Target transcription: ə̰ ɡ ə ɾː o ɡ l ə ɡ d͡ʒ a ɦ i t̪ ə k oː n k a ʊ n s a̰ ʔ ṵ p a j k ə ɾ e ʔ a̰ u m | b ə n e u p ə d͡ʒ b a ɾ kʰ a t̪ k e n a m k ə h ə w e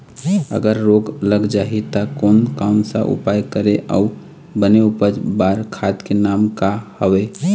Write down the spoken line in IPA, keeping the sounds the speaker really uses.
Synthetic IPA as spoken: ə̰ ɡ ə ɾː o ɡ l ə ɡ d͡ʒ a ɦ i t̪ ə k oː n k a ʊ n s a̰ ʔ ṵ p a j k ə ɾ e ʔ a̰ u | b ə n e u p ə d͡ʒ b a ɾ kʰ a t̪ k e n a m k a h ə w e